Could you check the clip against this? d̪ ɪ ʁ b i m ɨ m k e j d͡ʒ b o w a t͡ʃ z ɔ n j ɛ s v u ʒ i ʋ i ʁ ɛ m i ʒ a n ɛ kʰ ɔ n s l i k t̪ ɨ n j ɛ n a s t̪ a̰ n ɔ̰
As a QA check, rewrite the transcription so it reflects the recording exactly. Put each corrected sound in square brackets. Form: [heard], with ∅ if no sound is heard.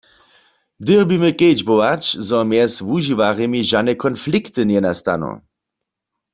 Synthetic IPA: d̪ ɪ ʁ b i m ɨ [∅] k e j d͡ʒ b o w a t͡ʃ z ɔ [m] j ɛ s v u ʒ i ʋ [a] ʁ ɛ m i ʒ a n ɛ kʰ ɔ n [f] l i k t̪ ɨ n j ɛ n a s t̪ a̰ n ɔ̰